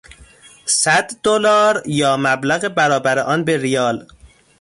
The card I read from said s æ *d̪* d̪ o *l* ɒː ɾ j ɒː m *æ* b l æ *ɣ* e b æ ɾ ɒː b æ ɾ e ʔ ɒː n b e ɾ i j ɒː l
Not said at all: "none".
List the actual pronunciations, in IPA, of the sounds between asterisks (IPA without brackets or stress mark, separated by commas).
d̪, l, æ, ɣ